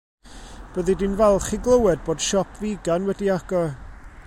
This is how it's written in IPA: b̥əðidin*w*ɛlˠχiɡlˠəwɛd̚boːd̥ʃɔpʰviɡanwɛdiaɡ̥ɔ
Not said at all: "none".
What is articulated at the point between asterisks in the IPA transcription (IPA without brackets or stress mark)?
v